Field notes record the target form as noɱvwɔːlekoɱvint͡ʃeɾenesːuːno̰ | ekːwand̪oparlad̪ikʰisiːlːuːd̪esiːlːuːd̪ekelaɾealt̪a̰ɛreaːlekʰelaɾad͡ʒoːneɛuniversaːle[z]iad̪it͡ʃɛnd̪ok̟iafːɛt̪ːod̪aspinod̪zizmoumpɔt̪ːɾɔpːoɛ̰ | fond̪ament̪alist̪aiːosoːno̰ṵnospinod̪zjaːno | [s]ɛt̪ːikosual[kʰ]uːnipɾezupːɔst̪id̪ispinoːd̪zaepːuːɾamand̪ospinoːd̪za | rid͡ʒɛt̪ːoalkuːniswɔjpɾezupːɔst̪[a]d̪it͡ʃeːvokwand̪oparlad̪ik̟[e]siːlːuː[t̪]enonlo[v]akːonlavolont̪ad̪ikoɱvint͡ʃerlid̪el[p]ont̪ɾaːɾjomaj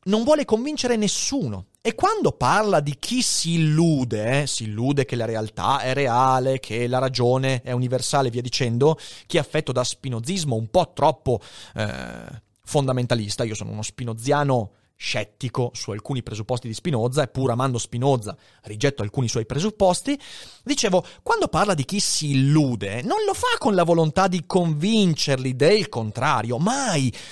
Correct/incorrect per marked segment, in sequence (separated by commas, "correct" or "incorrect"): incorrect, incorrect, incorrect, incorrect, incorrect, incorrect, incorrect, incorrect